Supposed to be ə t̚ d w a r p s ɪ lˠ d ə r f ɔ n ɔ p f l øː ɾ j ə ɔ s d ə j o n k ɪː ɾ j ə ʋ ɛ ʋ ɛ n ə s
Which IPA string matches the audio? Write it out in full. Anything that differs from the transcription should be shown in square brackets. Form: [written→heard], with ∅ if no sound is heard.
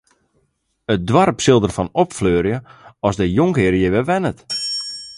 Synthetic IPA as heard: ə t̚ d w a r p s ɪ lˠ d ə r f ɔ n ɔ p f l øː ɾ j ə ɔ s d ə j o [n→ŋ] k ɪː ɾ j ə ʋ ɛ ʋ ɛ n ə [s→t]